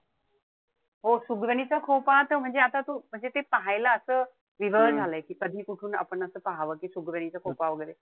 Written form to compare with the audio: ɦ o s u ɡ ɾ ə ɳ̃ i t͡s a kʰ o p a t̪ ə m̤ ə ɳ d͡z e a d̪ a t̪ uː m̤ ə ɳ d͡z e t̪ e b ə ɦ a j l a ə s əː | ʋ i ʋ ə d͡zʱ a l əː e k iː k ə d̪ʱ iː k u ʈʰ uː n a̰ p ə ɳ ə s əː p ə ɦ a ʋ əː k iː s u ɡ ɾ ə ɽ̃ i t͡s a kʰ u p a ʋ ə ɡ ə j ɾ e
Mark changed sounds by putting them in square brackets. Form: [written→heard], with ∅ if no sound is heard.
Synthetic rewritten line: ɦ o s u ɡ ɾ ə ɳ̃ i t͡s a kʰ o p a t̪ ə m̤ ə ɳ d͡z e a [d̪→t̪] a t̪ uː m̤ ə ɳ d͡z e t̪ e [b→p] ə ɦ a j l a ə s əː | ʋ i ʋ ə d͡zʱ a l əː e k iː k ə d̪ʱ iː k u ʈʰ uː n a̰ p ə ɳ ə s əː p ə ɦ a ʋ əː k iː s u ɡ ɾ ə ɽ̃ i t͡s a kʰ [u→o] p a ʋ ə ɡ ə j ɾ e